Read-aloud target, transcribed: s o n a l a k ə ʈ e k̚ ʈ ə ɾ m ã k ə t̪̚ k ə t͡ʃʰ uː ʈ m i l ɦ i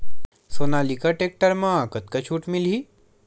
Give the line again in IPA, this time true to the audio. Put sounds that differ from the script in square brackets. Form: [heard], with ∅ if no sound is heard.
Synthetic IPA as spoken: s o n a l [i] k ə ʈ e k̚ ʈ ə ɾ m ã k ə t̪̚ k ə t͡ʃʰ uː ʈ m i l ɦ i